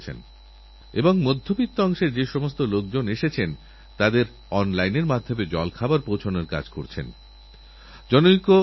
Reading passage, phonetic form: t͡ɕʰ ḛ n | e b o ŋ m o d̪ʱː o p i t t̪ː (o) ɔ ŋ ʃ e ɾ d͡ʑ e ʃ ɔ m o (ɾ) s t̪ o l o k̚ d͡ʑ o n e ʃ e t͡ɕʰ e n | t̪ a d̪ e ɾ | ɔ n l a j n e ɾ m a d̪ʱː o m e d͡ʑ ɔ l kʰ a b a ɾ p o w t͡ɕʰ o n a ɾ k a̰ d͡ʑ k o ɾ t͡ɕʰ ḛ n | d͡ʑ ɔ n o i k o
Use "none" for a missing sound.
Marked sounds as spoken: o, none

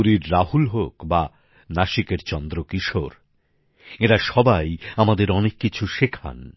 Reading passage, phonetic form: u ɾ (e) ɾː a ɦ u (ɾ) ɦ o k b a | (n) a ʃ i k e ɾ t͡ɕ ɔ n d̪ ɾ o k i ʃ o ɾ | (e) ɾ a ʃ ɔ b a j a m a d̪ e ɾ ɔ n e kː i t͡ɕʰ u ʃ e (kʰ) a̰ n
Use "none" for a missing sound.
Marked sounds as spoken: i, l, n, e, kʰ

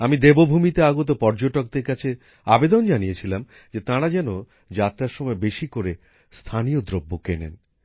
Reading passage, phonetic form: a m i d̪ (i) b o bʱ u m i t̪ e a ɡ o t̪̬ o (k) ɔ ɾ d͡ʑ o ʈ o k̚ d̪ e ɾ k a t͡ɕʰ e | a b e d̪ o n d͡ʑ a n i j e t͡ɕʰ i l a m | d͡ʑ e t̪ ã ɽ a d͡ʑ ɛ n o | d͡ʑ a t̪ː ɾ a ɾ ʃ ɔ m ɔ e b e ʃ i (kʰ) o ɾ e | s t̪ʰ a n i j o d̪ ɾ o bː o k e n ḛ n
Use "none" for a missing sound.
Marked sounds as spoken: e, p, k

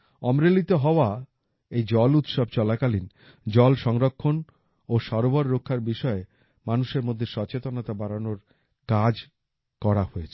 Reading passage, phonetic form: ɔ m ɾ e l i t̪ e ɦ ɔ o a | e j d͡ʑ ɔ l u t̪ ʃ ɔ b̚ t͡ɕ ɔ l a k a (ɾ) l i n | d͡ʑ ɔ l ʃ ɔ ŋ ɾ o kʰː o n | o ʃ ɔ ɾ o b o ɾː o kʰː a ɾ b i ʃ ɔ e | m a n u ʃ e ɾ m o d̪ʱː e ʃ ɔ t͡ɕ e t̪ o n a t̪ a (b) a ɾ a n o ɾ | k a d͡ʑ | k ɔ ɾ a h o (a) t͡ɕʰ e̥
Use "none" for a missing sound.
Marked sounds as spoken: none, b, e

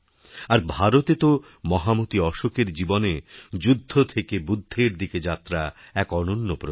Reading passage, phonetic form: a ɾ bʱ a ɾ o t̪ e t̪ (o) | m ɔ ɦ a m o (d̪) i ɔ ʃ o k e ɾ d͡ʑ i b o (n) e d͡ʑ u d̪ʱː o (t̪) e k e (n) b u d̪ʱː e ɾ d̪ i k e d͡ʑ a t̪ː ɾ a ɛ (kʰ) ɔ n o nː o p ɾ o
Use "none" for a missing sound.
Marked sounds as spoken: o, t̪, n, t̪ʰ, none, k

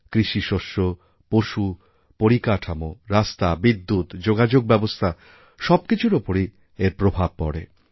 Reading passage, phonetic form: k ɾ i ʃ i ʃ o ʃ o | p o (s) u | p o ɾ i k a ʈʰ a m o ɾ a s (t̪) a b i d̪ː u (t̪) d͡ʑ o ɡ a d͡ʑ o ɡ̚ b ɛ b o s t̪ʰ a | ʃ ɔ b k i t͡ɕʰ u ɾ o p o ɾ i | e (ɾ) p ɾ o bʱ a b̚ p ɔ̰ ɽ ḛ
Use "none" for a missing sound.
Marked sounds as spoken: ʃ, t̪, t̪, ɾ

